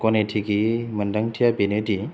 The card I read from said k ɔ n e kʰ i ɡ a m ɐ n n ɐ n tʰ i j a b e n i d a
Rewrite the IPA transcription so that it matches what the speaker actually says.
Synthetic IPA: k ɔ n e tʰ i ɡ i m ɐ n d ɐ ŋ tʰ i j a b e n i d i